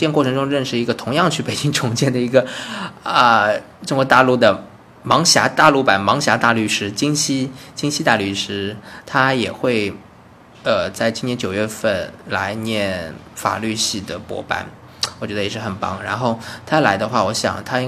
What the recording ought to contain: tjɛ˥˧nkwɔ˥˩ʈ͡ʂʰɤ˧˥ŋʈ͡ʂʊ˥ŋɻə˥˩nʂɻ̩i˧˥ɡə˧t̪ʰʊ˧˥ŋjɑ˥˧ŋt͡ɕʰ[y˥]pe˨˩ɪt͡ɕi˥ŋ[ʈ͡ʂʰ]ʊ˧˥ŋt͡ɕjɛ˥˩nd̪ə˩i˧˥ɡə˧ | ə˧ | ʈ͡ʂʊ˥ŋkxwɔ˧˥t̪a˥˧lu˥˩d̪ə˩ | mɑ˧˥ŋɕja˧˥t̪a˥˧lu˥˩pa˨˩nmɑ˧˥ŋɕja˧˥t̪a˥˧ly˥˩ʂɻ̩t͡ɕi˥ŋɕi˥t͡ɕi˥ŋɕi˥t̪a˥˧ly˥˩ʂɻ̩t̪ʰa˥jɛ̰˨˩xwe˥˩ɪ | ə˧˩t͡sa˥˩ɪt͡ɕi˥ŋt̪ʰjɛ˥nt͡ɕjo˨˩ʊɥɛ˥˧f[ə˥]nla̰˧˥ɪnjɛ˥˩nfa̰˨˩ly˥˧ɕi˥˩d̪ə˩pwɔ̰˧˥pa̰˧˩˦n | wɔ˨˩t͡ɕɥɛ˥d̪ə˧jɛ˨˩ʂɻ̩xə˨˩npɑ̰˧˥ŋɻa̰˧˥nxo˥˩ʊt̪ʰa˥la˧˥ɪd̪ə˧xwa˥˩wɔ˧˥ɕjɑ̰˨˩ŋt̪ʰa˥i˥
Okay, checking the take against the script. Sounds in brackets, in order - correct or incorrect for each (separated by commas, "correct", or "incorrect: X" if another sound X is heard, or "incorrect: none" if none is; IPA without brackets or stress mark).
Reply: incorrect: y˥˩, correct, incorrect: ə˥˩